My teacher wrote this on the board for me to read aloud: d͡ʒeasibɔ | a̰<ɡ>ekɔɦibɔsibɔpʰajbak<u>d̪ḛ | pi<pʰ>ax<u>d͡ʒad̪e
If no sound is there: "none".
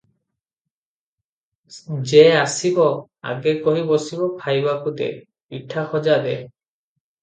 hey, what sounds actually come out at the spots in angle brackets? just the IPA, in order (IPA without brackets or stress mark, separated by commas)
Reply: ɡ, u, ʈʰ, ɔ